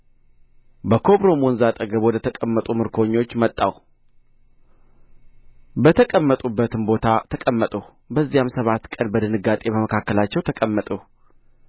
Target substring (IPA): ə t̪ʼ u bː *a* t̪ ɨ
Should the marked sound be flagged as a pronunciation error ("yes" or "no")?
yes